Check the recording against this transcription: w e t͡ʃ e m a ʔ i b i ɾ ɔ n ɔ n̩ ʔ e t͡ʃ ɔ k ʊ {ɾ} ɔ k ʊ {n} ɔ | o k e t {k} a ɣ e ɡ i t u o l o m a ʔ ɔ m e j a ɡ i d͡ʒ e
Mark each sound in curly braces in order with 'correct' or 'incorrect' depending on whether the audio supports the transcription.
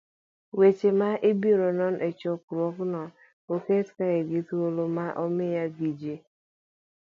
correct, correct, correct

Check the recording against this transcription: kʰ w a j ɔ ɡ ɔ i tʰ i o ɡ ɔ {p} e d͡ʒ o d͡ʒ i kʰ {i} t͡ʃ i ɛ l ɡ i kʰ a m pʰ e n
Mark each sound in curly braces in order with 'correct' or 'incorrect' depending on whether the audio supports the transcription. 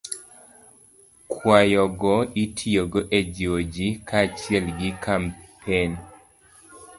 incorrect: ʔ, incorrect: a

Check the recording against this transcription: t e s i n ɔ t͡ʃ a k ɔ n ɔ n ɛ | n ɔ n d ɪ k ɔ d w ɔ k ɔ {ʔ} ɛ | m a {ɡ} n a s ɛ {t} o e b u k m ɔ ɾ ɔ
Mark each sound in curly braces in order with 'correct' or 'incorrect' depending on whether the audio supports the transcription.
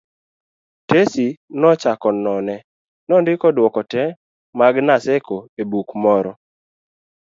incorrect: t, correct, incorrect: k

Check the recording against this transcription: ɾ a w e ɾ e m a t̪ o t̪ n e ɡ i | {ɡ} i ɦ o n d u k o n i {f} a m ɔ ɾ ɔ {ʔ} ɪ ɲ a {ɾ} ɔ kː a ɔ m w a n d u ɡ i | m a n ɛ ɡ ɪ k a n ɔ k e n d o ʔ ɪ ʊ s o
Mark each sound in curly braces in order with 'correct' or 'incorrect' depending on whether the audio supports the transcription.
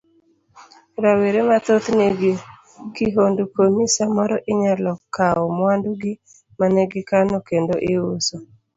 incorrect: k, incorrect: s, correct, incorrect: l

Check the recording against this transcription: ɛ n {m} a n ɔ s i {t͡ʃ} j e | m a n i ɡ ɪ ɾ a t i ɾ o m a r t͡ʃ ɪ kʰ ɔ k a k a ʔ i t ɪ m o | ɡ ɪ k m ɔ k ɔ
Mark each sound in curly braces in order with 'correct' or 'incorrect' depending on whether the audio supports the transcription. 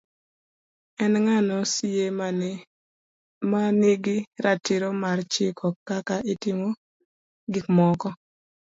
incorrect: ŋ, incorrect: none

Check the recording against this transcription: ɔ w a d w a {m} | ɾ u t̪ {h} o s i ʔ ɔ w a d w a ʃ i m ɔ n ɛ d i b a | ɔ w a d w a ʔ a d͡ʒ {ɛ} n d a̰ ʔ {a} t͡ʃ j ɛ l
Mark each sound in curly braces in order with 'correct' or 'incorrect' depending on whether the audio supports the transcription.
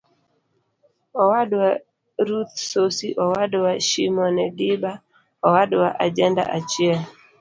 incorrect: none, incorrect: s, correct, correct

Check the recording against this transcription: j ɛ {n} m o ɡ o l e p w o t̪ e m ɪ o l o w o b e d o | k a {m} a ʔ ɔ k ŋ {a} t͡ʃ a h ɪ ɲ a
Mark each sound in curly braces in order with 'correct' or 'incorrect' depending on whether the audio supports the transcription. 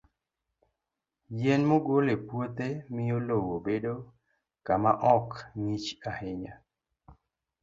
correct, correct, incorrect: i

